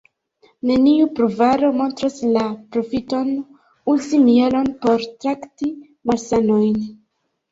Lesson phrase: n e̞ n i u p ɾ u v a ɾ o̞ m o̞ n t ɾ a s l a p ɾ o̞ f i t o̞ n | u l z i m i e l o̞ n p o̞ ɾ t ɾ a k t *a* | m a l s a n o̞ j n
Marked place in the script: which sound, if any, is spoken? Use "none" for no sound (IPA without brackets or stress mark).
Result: i